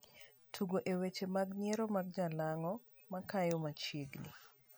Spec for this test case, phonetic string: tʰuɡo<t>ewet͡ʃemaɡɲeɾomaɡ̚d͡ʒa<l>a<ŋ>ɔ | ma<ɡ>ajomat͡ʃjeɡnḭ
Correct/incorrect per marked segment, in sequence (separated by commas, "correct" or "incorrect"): incorrect, correct, correct, incorrect